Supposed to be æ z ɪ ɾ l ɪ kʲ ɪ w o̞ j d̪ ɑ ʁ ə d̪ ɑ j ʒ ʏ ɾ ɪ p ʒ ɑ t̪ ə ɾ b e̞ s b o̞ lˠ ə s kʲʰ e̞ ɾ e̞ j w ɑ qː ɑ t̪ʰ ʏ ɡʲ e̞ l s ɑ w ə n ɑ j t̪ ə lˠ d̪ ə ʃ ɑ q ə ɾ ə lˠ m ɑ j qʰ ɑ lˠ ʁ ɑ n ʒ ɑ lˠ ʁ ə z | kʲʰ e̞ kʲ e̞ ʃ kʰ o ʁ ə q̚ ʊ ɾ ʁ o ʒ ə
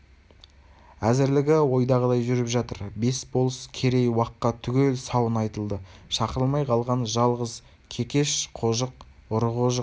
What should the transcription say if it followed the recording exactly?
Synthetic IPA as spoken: æ z ɪ ɾ l ɪ ɡʲ ɪ w o̞ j d̪ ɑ ʁ ə d̪ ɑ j ʒ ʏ ɾ ɪ p ʒ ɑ t̪ ə ɾ b e̞ s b o̞ lˠ ə s kʲʰ e̞ ɾ e̞ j w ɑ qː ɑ t̪ʰ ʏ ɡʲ e̞ l s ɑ w ə n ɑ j t̪ ə lˠ d̪ ə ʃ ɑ q ə ɾ ə lˠ m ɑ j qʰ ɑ lˠ ʁ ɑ n ʒ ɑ lˠ ʁ ə z | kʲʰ e̞ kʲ e̞ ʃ qʰ o ʒ ə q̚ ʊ ɾ ʁ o ʒ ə